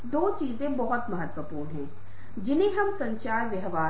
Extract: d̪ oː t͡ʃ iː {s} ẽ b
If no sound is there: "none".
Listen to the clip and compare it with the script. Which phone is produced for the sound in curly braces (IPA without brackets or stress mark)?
z